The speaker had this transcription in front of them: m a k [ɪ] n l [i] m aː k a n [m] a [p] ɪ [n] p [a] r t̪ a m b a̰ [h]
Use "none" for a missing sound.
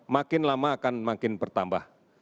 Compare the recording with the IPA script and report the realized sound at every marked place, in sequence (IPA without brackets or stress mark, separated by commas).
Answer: ɪ, a, m, k, n, ə, h